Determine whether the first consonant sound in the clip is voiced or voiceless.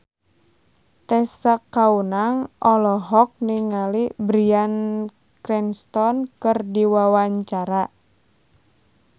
voiceless